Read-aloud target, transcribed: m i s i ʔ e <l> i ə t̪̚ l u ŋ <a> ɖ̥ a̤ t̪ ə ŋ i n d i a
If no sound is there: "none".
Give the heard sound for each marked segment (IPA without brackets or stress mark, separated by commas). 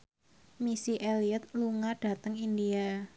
l, a